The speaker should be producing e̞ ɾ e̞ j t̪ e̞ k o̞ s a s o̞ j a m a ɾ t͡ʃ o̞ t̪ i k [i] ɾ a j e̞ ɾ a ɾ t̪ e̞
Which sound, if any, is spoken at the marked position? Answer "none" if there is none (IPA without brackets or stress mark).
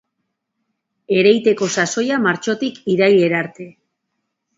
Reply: i